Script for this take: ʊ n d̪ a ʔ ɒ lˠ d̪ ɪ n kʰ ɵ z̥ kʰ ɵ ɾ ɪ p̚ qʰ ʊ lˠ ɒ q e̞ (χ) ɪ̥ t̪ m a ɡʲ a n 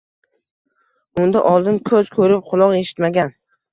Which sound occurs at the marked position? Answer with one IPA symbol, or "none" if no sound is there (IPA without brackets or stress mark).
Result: ʃ